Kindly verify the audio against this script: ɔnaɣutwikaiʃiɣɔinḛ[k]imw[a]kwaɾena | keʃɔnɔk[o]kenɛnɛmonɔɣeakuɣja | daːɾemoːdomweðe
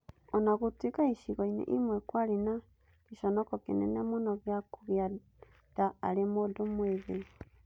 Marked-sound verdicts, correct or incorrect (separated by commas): incorrect, incorrect, incorrect